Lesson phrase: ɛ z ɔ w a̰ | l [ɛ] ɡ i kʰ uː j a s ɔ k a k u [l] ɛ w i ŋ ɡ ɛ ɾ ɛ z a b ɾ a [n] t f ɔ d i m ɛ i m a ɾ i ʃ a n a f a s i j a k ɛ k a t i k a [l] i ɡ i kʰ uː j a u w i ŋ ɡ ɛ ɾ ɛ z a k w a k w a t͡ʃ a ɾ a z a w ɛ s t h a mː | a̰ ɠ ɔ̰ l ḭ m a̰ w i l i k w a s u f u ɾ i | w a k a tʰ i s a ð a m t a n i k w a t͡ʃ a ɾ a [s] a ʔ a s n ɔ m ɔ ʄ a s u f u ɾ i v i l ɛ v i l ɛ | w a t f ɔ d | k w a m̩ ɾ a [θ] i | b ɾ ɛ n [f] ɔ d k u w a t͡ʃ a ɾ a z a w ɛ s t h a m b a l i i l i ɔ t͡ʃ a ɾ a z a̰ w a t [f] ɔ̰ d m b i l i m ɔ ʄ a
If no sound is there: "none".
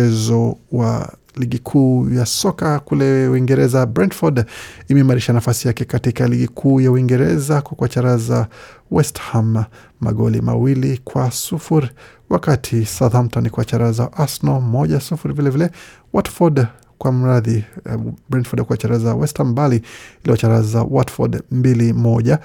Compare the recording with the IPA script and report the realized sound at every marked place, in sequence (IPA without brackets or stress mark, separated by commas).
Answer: i, l, n, l, z, ð, f, f